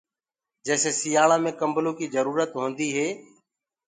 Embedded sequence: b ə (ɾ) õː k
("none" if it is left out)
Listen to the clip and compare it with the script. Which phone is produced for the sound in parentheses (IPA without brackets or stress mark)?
l